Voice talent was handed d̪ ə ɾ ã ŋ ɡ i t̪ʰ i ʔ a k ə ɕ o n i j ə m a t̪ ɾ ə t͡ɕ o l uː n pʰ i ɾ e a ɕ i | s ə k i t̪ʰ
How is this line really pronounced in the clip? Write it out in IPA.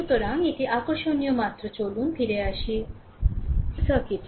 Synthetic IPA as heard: t̪ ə ɾ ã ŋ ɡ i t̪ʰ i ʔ a k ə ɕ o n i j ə m a t̪ ɾ ə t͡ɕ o l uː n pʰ i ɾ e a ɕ i | s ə k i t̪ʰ